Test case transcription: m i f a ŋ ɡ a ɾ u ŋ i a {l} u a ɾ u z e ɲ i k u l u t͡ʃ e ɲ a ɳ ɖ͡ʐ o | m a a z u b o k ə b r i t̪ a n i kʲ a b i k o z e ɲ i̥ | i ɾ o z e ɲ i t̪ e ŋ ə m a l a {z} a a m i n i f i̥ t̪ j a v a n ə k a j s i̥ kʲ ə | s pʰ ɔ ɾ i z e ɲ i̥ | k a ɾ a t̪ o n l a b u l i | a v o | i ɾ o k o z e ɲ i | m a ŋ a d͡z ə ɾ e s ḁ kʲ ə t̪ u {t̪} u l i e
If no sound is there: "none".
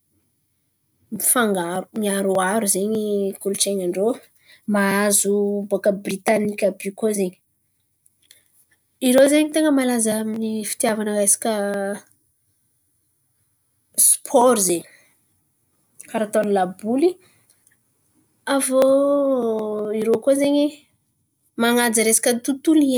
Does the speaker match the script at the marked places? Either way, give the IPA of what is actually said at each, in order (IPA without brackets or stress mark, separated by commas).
ɾ, z, t̪